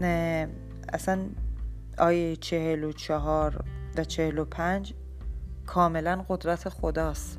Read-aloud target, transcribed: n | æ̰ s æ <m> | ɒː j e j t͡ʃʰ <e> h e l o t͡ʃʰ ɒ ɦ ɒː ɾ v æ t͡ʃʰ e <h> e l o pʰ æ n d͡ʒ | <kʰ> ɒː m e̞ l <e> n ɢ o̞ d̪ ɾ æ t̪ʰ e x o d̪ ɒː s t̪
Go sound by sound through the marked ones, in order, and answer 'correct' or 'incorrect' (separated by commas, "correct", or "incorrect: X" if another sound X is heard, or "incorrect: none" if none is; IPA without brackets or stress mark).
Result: incorrect: n, correct, correct, correct, incorrect: æ